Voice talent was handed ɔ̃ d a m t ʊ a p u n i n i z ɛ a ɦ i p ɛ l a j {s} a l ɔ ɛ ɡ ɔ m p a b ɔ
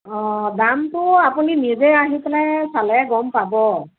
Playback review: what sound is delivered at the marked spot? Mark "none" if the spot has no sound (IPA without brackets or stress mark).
s